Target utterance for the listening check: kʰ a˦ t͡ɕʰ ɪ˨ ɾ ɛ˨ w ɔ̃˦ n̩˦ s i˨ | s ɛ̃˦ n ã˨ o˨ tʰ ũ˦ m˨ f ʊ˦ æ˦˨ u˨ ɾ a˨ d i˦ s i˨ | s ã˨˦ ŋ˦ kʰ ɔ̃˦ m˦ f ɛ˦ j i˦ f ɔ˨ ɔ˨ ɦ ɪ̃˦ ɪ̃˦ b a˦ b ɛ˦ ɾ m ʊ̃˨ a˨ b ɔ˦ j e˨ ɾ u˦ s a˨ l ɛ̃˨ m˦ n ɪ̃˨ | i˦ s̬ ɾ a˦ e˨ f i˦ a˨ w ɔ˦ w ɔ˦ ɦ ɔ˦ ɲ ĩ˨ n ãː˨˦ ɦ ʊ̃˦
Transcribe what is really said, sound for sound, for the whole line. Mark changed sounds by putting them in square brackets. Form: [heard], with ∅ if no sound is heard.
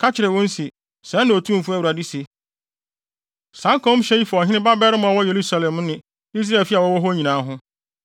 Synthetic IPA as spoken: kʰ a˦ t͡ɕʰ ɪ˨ ɾ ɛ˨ w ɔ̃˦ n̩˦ s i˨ | s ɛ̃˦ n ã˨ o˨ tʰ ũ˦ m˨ f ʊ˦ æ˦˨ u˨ ɾ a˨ d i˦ s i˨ | s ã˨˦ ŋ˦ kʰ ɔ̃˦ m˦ [ɕ] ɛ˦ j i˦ f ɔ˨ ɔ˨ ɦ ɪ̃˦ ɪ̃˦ b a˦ b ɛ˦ ɾ m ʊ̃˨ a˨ [w] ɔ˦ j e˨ ɾ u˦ s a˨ l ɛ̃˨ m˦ n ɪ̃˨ | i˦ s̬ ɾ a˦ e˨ f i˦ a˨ w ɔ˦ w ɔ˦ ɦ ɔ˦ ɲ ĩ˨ n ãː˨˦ ɦ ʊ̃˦